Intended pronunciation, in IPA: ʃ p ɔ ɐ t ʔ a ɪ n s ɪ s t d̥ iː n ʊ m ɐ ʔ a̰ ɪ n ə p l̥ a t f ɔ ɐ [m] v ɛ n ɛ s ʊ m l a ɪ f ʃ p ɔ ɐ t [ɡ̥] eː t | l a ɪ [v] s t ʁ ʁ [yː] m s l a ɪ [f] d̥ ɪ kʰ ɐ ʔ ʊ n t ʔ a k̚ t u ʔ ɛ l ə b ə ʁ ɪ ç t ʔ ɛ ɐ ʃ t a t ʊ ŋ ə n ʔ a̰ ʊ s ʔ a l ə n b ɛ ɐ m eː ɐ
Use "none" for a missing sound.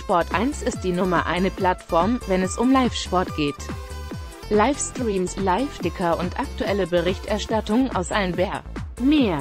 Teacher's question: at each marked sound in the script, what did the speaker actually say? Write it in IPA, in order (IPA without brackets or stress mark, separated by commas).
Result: m, ɡ̥, f, iː, f